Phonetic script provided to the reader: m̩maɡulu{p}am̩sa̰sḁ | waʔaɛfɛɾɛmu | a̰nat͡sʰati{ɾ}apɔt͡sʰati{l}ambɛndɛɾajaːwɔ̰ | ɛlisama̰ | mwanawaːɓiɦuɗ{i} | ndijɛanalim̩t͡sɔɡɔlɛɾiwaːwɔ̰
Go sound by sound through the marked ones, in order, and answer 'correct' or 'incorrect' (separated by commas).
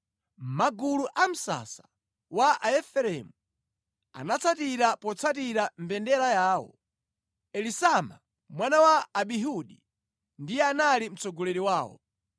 incorrect, correct, incorrect, correct